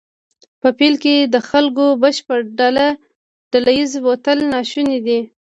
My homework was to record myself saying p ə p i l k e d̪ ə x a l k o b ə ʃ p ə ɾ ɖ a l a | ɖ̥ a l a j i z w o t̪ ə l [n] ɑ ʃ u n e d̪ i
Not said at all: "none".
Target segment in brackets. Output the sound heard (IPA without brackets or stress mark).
n